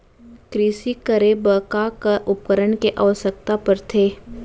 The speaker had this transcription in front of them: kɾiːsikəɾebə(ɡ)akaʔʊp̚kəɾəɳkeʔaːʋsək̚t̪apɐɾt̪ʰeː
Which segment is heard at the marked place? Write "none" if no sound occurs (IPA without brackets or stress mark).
k